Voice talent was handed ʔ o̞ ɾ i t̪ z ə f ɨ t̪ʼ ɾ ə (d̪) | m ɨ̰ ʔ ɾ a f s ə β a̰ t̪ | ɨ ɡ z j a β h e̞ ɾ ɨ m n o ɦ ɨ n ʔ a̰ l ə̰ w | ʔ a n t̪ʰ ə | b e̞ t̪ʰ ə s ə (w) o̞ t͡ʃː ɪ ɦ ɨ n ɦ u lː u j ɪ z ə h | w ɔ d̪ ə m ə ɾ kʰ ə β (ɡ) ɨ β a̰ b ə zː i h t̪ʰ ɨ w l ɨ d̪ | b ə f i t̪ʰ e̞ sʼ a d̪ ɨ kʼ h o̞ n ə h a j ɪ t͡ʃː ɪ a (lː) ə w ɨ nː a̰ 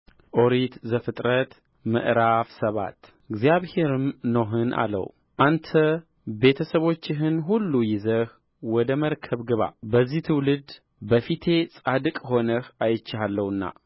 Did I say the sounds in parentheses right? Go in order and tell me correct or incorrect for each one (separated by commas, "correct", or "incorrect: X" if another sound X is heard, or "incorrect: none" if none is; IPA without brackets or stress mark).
incorrect: t̪, incorrect: β, correct, correct